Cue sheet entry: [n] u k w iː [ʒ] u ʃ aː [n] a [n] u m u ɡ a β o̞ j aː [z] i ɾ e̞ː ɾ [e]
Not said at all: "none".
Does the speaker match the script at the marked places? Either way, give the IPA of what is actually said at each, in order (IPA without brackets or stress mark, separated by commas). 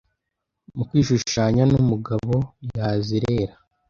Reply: m, ʃ, ɲ, n, z, a